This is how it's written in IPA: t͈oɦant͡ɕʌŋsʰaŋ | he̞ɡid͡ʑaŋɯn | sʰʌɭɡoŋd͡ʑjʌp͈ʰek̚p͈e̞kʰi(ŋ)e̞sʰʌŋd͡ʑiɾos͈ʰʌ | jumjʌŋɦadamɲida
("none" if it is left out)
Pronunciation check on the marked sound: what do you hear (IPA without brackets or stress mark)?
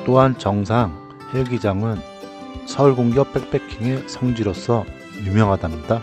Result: ŋ